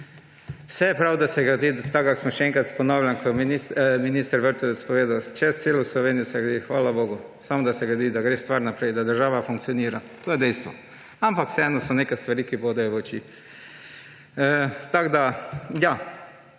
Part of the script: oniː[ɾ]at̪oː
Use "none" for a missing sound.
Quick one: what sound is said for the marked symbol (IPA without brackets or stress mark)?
ɾ